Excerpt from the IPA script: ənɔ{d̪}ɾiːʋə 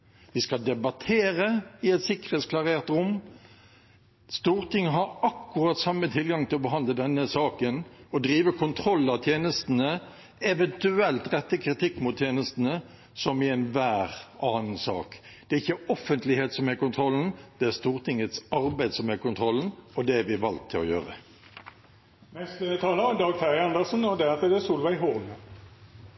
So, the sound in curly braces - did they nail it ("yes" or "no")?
yes